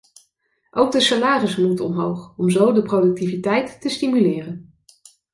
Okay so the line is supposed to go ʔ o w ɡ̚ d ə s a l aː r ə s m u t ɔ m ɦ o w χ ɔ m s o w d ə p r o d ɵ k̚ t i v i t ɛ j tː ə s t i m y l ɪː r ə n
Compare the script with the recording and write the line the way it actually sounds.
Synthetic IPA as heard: ʔ o w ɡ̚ d ə s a l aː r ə s m u t ɔ m ɦ o w χ ɔ m z o w d ə p r o d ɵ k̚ t i v i t ɛ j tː ə s t i m y l ɪː r ə n

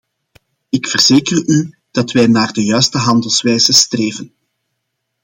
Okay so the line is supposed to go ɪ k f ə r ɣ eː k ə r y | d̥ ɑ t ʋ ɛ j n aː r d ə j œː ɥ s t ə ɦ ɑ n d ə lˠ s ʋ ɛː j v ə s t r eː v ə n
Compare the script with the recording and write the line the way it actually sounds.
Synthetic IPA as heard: ɪ k f ə r z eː k ə r y | d̥ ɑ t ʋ ɛ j n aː r d ə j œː ɥ s t ə ɦ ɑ n d ə lˠ s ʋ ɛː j z ə s t r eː v ə n

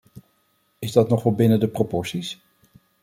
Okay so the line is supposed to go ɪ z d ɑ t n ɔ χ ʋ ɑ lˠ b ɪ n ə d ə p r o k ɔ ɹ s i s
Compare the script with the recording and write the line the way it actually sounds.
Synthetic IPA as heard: ɪ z d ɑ t n ɔ χ ʋ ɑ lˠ b ɪ n ə d ə p r o p ɔ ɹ s i s

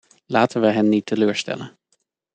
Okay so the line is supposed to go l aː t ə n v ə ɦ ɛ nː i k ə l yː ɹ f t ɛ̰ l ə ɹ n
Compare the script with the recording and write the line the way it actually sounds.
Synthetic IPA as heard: l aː t ə n ʋ ə ɦ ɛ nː i t ə l øː ɹ s t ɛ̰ l ə n

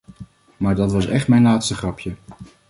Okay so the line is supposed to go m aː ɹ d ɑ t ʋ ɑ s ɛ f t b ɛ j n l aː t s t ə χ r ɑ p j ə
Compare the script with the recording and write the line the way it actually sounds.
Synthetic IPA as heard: m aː ɹ d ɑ t ʋ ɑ s ɛ χ t m ɛ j n l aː t s t ə χ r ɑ p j ə

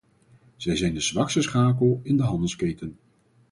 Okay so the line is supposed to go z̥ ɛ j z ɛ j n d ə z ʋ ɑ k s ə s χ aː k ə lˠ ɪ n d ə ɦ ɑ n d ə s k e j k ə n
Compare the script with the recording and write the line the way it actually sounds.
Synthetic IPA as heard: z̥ ɛ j z ɛ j n d ə z ʋ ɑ k s ə s χ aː k ə lˠ ɪ n d ə ɦ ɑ n d ə s k e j t ə n

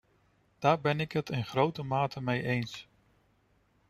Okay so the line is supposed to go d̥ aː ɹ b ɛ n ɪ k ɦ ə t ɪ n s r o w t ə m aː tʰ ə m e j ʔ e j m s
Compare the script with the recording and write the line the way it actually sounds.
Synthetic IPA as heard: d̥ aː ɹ b ɛ n ɪ k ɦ ə t ɪ n χ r o w t ə m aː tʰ ə m e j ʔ e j n s

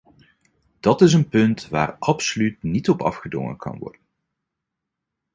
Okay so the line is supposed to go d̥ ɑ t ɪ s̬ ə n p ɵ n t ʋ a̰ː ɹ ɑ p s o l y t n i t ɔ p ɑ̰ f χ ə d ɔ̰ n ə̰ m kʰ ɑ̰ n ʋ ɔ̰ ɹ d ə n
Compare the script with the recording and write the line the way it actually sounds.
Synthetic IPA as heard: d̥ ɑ t ɪ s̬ ə n p ɵ n t ʋ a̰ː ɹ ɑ p s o l y t n i t ɔ p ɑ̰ f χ ə d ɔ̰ ŋ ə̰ n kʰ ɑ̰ n ʋ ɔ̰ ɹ d ə n

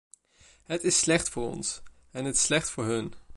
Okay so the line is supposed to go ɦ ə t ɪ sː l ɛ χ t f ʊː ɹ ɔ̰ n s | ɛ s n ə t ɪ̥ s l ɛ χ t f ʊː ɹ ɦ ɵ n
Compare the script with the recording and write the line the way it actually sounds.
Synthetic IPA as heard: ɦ ə t ɪ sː l ɛ χ t f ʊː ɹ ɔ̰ n s | ɛ n ə t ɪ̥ s l ɛ χ t f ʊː ɹ ɦ ɵ n

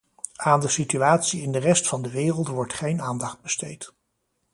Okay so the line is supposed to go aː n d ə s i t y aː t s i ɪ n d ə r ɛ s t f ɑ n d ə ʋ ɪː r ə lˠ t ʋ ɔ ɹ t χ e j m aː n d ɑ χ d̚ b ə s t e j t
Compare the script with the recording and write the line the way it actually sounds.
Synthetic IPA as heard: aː n d ə s i t y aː t s i ɪ n d ə r ɛ s t f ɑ n d ə ʋ ɪː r ə lˠ t ʋ ɔ ɹ t χ e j n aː n d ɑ χ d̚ b ə s t e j t

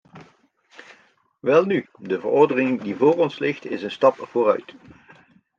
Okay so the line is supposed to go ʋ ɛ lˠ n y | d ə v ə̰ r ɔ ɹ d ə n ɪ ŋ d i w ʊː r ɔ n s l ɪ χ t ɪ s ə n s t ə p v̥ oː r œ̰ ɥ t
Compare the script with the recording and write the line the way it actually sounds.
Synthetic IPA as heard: ʋ ɛ lˠ n y | d ə v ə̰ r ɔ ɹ d ə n ɪ ŋ d i v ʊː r ɔ n s l ɪ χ t ɪ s ə n s t ɑ p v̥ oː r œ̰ ɥ t

